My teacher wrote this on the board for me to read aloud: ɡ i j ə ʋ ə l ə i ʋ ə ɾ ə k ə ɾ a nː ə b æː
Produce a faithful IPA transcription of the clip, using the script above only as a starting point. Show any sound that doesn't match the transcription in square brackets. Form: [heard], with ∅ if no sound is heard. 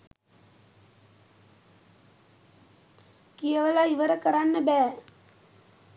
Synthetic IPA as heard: [k] i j ə ʋ ə l [a] i ʋ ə ɾ ə k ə ɾ a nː ə b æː

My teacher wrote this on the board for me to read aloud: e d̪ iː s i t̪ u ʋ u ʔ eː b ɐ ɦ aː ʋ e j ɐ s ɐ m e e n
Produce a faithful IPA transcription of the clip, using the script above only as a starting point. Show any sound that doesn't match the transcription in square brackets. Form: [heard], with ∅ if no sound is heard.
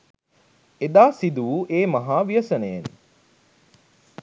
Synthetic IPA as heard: e d̪ [aː] s i [d̪] u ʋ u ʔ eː [m] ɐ ɦ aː ʋ [i] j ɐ s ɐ [n] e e n

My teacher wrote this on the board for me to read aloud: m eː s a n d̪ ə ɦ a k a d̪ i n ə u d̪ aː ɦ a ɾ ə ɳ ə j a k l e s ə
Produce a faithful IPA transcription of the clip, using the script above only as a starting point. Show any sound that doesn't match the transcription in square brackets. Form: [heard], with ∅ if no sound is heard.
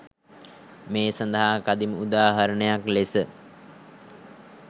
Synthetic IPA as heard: m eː s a n d̪ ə ɦ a k a d̪ i [m] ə u d̪ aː ɦ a ɾ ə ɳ ə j a k l e s ə

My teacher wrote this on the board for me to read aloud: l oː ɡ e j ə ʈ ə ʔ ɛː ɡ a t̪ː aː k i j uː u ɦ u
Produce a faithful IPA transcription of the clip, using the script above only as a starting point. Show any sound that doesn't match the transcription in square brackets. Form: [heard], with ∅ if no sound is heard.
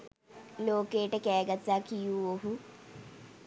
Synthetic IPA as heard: l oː [k] e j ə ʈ ə [k] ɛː ɡ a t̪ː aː k i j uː [o] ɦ u

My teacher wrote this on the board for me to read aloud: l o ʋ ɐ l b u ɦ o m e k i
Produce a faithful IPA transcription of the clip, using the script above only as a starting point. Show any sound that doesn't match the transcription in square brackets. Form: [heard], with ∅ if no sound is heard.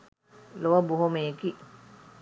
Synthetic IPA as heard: l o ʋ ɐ [∅] b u ɦ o m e k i

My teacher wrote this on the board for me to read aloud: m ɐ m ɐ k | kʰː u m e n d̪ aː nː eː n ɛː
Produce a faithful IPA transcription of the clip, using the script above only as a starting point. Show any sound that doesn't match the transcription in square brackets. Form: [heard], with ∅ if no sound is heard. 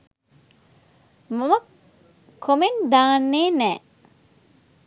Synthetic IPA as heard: m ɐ m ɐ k | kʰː [o] m e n d̪ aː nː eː n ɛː

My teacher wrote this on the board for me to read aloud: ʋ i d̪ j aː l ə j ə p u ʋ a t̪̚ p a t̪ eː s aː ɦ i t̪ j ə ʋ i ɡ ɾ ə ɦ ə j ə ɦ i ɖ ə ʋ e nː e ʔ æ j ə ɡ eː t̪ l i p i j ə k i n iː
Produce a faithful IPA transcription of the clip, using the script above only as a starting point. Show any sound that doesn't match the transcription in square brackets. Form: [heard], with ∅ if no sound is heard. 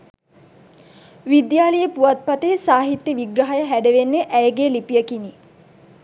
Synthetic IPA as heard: ʋ i d̪ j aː l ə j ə p u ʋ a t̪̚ p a t̪ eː s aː ɦ i t̪ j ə ʋ i ɡ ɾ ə ɦ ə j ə ɦ [æ] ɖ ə ʋ e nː e ʔ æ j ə ɡ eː [∅] l i p i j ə k i n [i]

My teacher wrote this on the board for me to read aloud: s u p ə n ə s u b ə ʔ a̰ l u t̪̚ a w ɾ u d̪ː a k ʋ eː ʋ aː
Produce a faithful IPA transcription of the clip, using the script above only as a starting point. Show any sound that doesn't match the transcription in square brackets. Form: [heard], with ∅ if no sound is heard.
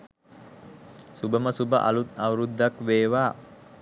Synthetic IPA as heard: s u [b] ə [m] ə s u b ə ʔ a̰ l u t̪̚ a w ɾ u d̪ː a k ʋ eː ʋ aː

